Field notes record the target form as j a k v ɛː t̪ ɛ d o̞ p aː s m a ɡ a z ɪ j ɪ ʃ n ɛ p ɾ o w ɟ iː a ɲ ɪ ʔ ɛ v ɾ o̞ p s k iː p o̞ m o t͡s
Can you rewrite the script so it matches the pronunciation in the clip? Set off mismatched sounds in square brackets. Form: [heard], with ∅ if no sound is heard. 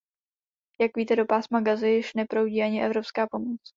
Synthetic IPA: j a k v [iː] t̪ ɛ d o̞ p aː s m a ɡ a z ɪ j ɪ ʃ n ɛ p ɾ o w ɟ iː a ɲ ɪ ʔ ɛ v ɾ o̞ p s k [aː] p o̞ m o t͡s